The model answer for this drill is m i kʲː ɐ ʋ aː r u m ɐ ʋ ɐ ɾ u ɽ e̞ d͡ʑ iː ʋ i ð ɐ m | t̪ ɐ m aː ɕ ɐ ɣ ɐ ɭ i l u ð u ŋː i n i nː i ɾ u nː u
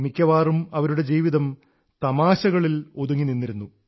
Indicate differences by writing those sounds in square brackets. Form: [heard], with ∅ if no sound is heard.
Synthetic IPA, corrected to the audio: m i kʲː ɐ ʋ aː r u m ɐ ʋ ɐ ɾ u ɽ e̞ d͡ʑ iː ʋ i ð ɐ m | t̪ ɐ m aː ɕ ɐ ɣ ɐ ɭ i l [o] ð u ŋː i n i nː i ɾ u nː u

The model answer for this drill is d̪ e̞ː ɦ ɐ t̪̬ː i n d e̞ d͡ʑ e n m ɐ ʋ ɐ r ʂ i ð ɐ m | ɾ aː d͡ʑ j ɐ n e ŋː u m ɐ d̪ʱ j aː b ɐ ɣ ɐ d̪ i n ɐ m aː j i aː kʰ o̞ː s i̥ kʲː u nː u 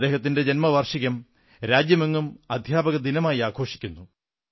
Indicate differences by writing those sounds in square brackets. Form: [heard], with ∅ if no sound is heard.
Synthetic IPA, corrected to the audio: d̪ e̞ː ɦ ɐ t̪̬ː i n d e̞ d͡ʑ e n m ɐ ʋ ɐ r ʂ i [ɣ] ɐ m | ɾ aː d͡ʑ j ɐ [m] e ŋː u m ɐ d̪ʱ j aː b ɐ ɣ ɐ d̪ i n ɐ m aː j i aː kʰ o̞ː [ʂ] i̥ kʲː u nː u

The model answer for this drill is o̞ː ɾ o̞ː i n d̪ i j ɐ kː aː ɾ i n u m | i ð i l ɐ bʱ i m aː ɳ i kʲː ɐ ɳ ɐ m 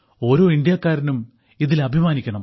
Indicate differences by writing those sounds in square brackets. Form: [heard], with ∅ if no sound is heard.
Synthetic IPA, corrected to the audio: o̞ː ɾ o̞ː i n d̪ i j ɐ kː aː ɾ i n u m | i ð i l ɐ bʱ i m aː [n] i kʲː ɐ ɳ ɐ m

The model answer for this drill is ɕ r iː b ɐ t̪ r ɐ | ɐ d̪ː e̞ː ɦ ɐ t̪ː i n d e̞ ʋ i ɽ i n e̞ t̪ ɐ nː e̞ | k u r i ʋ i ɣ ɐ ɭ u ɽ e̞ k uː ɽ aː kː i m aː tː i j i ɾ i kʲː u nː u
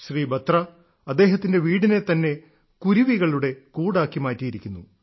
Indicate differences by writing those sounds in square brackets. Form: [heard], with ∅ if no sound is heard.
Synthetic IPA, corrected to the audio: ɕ r iː b ɐ t̪ r ɐ | ɐ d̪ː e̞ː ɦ ɐ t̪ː i n d e̞ ʋ [iː] ɽ i n e̞ t̪ ɐ nː e̞ | k u [ɾ] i ʋ i ɣ ɐ ɭ u ɽ e̞ k uː ɽ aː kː i m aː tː i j i ɾ i kʲː u nː u

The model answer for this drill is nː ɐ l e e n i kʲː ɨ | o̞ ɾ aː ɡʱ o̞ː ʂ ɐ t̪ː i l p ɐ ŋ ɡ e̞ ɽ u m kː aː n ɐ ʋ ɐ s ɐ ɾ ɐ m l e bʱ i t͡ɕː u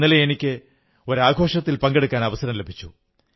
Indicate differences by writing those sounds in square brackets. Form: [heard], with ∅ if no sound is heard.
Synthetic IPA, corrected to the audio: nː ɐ l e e n i kʲː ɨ | o̞ ɾ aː ɡʱ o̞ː ʂ ɐ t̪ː i l p ɐ ŋ ɡ e̞ ɽ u [∅] kː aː n ɐ ʋ ɐ s ɐ ɾ ɐ m l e bʱ i t͡ɕː u

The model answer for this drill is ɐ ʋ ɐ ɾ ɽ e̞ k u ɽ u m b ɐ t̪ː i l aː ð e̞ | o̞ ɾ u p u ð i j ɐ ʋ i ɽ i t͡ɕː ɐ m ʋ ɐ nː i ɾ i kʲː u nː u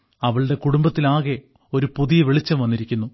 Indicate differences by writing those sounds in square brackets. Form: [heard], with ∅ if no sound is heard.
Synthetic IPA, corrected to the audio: ɐ ʋ ɐ [ɭ] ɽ e̞ k u ɽ u m b ɐ t̪ː i l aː [ɣ] e̞ | o̞ ɾ u p u ð i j ɐ ʋ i [ɭ] i t͡ɕː ɐ m ʋ ɐ nː i ɾ i kʲː u nː u

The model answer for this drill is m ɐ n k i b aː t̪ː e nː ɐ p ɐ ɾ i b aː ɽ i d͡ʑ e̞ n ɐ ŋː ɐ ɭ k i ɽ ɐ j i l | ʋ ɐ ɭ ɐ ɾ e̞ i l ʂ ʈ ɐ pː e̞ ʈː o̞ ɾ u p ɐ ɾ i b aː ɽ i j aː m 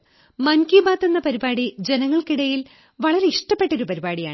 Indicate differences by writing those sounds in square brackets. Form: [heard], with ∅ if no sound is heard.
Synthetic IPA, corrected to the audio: m ɐ n k i b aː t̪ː e nː ɐ p ɐ ɾ i b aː ɽ i d͡ʑ e̞ n ɐ ŋː ɐ ɭ k i ɽ ɐ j i l | ʋ ɐ ɭ ɐ ɾ e̞ i [∅] ʂ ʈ ɐ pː e̞ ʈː o̞ ɾ u p ɐ ɾ i b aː ɽ i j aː [ɳ]

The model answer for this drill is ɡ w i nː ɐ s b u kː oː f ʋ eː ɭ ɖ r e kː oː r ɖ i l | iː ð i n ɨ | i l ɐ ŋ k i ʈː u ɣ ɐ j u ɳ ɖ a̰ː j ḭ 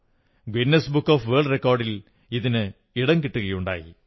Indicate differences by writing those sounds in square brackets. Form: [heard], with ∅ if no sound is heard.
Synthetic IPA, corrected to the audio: ɡ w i nː ɐ s b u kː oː f ʋ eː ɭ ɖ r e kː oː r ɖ i l | [i] ð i n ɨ | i [ɽ] ɐ ŋ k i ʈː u ɣ ɐ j u ɳ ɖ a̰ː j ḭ

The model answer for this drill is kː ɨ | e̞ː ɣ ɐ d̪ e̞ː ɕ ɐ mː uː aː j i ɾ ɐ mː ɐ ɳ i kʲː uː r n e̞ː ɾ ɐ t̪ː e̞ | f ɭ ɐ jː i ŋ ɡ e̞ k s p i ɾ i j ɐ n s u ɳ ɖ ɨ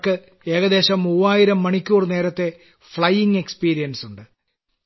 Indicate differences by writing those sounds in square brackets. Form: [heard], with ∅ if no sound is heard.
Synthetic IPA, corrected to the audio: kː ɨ | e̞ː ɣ ɐ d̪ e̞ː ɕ ɐ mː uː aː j i ɾ ɐ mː ɐ ɳ i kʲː uː r n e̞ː ɾ ɐ t̪ː e̞ | f ɭ ɐ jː i ŋ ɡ e̞ k s p [iː] ɾ i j ɐ n s u ɳ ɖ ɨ

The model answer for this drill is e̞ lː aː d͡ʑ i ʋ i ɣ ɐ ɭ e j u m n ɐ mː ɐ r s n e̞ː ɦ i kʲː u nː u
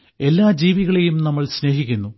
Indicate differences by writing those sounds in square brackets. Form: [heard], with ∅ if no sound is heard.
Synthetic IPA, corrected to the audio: e̞ lː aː d͡ʑ [iː] ʋ i ɣ ɐ ɭ e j u m n ɐ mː ɐ [ɭ] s n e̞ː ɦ i kʲː u nː u

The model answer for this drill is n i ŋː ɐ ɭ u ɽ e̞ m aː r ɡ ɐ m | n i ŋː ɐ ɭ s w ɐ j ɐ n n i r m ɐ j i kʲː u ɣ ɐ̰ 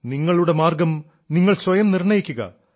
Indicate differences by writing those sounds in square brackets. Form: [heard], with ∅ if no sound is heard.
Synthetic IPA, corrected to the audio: n i ŋː ɐ ɭ u ɽ e̞ m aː r ɡ ɐ m | n i ŋː ɐ ɭ s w ɐ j ɐ [m] n i r [ɳ] ɐ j i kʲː u ɣ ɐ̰

